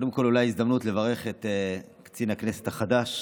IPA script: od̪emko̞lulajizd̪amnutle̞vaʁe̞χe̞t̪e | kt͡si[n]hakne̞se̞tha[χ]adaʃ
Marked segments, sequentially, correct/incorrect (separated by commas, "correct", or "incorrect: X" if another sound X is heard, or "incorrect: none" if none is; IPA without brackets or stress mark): correct, correct